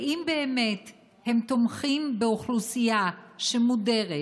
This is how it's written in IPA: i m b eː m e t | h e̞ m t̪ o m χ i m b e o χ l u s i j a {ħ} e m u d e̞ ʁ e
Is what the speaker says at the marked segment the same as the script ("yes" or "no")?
no